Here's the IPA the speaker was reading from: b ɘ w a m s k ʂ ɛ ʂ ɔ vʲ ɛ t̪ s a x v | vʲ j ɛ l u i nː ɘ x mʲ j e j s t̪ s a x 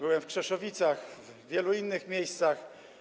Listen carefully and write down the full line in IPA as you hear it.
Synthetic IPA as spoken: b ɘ w ɛ m f k ʂ ɛ ʂ ɔ vʲ i t̪ s a x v | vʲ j ɛ l u i nː ɘ x mʲ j e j s t̪ s a x